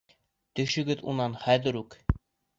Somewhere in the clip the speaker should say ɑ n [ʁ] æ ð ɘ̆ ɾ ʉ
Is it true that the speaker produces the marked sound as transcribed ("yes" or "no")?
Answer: no